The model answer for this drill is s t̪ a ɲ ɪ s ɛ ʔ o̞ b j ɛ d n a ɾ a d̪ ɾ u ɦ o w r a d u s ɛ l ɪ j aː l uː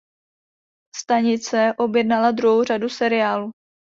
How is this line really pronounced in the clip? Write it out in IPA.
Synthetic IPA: s t̪ a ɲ ɪ t͡s ɛ ʔ o̞ b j ɛ d n a l a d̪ ɾ u ɦ o w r a d u s ɛ ɾ ɪ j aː l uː